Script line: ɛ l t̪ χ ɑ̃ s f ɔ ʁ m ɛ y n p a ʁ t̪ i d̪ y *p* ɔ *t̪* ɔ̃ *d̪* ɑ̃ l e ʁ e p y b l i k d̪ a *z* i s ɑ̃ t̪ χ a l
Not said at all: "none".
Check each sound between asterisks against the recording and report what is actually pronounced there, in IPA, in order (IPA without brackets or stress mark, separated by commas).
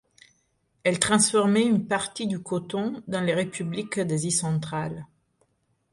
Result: k, t̪, d̪, z